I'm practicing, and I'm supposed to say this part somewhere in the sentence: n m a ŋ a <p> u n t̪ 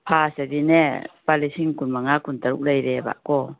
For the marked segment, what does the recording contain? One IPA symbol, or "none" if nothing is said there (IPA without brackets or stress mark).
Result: k